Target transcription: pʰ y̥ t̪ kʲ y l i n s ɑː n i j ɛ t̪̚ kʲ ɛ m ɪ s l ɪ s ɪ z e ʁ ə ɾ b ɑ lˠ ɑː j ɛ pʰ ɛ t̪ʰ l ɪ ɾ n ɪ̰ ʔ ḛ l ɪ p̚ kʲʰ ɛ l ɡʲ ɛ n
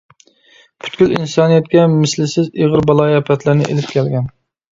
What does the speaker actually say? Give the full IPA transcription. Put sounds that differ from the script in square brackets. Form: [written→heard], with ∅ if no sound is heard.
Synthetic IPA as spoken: pʰ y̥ t̪ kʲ y l i n s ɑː n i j ɛ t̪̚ kʲ ɛ m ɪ s l ɪ s ɪ z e ʁ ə ɾ b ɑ lˠ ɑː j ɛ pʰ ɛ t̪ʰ l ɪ ɾ n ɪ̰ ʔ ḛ l ɪ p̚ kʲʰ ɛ l ɡʲ ɛ n